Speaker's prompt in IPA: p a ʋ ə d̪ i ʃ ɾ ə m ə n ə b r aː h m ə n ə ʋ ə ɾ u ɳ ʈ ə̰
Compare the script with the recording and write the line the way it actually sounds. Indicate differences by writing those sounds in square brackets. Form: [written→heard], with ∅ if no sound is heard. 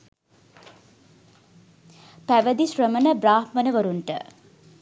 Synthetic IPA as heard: p [a→æ] ʋ ə d̪ i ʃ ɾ ə m ə n ə b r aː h m ə n ə ʋ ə ɾ u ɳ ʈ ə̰